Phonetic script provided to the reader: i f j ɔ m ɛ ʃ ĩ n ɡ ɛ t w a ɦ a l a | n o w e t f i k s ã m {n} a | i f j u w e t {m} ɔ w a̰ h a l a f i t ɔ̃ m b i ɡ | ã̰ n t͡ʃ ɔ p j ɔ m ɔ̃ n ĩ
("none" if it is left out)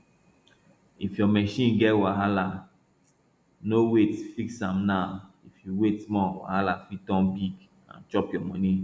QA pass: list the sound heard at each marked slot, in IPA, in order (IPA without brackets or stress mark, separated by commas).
n, m